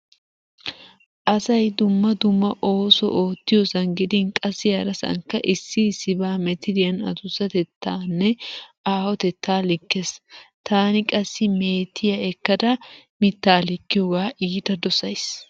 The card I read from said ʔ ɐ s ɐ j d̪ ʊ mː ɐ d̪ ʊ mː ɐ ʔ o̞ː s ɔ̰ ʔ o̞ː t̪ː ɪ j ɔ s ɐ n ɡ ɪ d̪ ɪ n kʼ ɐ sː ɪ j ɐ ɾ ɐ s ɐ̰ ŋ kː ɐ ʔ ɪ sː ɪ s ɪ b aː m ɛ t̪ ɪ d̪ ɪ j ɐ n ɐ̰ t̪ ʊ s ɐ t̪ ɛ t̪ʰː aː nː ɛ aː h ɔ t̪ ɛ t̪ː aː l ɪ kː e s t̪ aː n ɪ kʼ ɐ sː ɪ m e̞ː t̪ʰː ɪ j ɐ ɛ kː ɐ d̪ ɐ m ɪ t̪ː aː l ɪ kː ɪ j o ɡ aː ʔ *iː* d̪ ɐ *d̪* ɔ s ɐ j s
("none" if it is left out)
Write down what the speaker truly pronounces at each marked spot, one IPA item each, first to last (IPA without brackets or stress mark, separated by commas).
iː, d̪